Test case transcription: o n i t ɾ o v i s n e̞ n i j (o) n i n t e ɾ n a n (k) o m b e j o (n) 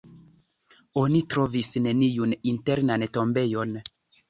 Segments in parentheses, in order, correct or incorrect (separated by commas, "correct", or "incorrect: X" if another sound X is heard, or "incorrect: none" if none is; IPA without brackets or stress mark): incorrect: u, incorrect: t, correct